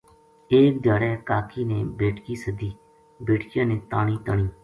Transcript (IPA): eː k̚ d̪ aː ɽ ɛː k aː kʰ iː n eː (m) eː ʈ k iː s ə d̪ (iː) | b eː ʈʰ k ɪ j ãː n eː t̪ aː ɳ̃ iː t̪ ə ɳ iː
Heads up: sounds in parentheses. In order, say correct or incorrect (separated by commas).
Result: incorrect, correct